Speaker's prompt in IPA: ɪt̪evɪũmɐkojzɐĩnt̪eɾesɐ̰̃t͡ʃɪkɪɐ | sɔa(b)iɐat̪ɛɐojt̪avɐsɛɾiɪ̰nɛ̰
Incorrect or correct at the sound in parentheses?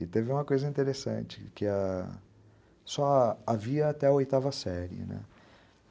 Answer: incorrect: v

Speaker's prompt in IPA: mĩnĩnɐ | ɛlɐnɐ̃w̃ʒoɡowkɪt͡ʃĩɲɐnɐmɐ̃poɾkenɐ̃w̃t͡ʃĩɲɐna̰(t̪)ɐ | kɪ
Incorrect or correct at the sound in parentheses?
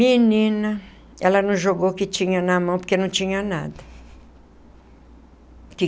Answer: incorrect: d̪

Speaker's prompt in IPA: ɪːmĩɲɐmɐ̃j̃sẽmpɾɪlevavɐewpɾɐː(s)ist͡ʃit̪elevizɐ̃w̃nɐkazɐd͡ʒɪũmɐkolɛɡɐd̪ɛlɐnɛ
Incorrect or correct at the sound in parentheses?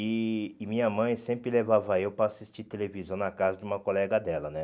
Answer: correct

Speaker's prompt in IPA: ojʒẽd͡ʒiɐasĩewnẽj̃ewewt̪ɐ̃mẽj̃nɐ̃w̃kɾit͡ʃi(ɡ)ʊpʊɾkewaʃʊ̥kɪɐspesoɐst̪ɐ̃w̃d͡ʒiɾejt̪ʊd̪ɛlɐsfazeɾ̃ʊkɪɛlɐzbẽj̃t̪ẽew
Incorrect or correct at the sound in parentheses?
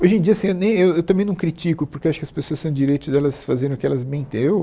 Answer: incorrect: k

